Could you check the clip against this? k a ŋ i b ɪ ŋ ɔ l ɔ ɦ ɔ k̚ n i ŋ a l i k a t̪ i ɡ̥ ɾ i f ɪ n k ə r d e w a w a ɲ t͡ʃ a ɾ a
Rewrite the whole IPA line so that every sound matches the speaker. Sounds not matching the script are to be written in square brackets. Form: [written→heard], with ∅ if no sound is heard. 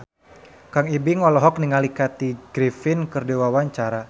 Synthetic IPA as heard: k a ŋ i b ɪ ŋ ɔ l ɔ ɦ ɔ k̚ n i ŋ a l i k a t̪ i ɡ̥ ɾ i f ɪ n k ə r d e w a w a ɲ t͡ʃ a ɾ a